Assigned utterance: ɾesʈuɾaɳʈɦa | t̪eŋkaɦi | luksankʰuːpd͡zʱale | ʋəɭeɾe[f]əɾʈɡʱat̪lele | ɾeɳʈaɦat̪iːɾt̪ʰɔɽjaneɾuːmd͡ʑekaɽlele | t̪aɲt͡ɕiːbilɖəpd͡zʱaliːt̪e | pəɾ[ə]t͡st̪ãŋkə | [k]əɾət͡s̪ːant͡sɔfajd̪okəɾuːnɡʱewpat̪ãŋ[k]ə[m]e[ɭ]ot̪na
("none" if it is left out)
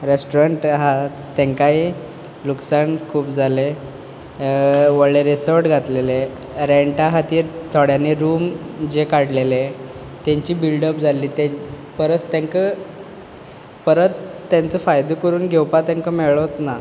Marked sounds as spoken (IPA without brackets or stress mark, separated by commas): s, ə, p, k, m, ɭ